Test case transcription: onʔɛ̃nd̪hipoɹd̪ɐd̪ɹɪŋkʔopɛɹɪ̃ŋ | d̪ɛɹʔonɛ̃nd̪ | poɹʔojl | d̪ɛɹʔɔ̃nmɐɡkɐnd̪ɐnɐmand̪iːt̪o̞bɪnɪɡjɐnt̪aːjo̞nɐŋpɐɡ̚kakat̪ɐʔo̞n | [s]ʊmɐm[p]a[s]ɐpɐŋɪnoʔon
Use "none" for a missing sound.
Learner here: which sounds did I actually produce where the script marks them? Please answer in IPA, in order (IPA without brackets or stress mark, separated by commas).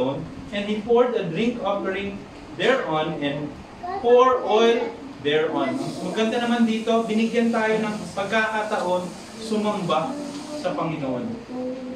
s, b, s